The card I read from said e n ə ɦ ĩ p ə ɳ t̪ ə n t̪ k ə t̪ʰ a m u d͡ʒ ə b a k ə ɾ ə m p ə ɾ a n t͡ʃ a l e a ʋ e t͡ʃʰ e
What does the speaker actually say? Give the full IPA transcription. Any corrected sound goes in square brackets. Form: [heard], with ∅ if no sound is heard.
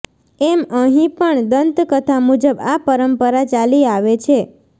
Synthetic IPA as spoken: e [m] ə ɦ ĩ p ə ɳ [d̪] ə n t̪ k ə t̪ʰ a m u d͡ʒ ə b a [p] ə ɾ ə m p ə ɾ a [∅] t͡ʃ a l [i] a ʋ e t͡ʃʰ e

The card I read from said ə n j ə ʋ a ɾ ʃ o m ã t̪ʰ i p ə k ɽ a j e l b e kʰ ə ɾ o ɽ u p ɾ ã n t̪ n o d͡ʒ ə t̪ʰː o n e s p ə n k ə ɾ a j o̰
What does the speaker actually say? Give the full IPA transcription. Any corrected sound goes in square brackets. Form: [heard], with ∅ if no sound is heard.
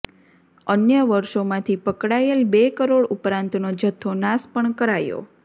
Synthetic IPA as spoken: ə n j ə ʋ [ə] ɾ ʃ o m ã t̪ʰ i p ə k ɽ a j e l b e [k] ə ɾ o ɽ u p ɾ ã n t̪ n o d͡ʒ ə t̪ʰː o n [a] s p ə [ɳ] k ə ɾ a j o̰

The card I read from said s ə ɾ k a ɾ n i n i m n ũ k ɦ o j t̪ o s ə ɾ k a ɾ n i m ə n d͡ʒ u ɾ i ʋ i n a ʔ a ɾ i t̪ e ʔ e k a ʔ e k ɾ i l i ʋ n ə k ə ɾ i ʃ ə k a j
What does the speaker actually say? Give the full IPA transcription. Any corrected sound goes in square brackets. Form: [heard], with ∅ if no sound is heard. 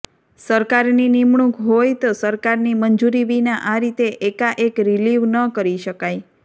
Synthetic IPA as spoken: s ə ɾ k a ɾ n i n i m [ɳ] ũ k ɦ o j t̪ o s ə ɾ k a ɾ n i m ə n d͡ʒ u ɾ i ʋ i n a ʔ a ɾ i t̪ e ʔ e k a ʔ e k ɾ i l i ʋ n ə k ə ɾ i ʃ ə k a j

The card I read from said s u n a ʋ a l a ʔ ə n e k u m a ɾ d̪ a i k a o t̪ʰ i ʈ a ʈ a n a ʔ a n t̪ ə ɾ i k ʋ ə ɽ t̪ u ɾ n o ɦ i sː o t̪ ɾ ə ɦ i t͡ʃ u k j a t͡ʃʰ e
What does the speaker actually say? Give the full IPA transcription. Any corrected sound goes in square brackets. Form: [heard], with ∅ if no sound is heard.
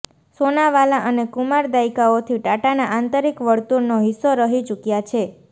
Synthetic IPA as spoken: s [o] n a ʋ a l a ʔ ə n e k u m a ɾ d̪ a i k a o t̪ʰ i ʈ a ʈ a n a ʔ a n t̪ ə ɾ i k ʋ ə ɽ t̪ u ɾ n o ɦ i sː o [∅] ɾ ə ɦ i t͡ʃ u k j a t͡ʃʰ e

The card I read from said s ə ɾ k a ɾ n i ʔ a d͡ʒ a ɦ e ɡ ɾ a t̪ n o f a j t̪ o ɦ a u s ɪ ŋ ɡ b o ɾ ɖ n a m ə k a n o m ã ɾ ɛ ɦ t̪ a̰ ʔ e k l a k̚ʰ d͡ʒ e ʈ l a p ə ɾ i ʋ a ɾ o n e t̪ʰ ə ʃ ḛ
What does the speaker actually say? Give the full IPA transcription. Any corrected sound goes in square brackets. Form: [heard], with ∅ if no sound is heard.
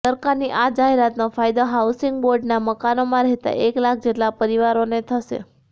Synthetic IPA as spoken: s ə ɾ k a ɾ n i ʔ a d͡ʒ a ɦ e [∅] ɾ a t̪ n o f a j [d̪] o ɦ a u s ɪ ŋ ɡ b o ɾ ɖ n a m ə k a n o m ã ɾ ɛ ɦ t̪ a̰ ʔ e k l a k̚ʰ d͡ʒ e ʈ l a p ə ɾ i ʋ a ɾ o n e t̪ʰ ə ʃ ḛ

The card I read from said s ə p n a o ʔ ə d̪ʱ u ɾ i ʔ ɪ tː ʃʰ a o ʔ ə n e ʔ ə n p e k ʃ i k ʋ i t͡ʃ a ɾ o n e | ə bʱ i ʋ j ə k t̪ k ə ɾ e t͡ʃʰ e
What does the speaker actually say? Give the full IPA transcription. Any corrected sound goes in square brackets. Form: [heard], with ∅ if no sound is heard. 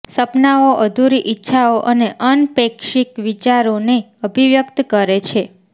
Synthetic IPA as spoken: s ə p n a o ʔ ə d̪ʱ u ɾ i ʔ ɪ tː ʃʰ a o ʔ ə n e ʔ ə n p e k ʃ i k ʋ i t͡ʃ a ɾ o n e | ə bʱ i ʋ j ə k t̪ k ə ɾ e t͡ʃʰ e

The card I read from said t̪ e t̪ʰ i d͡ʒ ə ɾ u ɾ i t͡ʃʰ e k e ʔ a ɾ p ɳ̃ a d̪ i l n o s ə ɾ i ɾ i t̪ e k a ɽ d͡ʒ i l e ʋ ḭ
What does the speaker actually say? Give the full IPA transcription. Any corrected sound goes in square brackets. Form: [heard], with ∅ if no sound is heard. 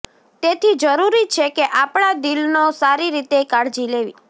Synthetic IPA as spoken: t̪ e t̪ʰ i d͡ʒ ə ɾ u ɾ i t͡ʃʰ e k e ʔ a [∅] p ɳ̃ a d̪ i l n o s [a] ɾ i ɾ i t̪ e k a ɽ d͡ʒ i l e ʋ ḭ

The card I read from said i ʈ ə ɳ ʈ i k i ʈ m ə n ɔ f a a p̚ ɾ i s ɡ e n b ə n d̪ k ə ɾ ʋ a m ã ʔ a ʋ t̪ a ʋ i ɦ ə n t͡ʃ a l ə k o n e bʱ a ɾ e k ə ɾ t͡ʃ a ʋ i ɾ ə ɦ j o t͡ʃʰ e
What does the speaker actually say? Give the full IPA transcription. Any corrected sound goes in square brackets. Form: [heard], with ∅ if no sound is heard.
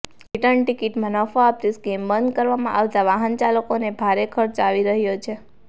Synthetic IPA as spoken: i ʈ ə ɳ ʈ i k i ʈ m ə n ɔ f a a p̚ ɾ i s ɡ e [m] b ə n d̪ k ə ɾ ʋ a m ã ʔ a ʋ t̪ a ʋ [a] ɦ ə n t͡ʃ a l ə k o n e bʱ a ɾ e [kʰ] ə ɾ t͡ʃ a ʋ i ɾ ə ɦ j o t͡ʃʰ e

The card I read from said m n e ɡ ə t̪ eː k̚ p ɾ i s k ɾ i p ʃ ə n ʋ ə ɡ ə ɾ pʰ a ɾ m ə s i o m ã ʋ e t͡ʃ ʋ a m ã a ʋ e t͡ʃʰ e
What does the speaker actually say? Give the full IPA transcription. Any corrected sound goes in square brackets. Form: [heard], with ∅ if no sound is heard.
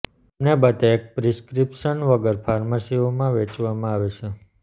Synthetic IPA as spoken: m n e [b] ə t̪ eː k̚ p ɾ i s k ɾ i p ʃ ə n ʋ ə ɡ ə ɾ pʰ a ɾ m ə s i o m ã ʋ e t͡ʃ ʋ a m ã a ʋ e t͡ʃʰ e

